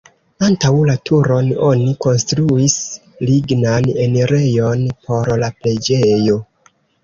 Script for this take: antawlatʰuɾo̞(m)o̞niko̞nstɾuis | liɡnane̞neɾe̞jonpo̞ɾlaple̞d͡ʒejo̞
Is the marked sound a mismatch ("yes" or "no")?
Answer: yes